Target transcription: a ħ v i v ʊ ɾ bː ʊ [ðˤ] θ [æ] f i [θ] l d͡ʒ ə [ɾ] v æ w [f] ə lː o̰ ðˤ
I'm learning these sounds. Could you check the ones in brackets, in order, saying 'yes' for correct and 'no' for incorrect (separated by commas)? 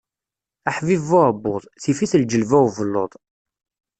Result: yes, no, yes, no, no